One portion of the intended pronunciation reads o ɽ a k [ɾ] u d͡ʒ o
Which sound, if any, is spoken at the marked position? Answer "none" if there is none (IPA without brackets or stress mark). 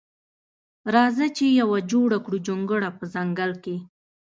ɽ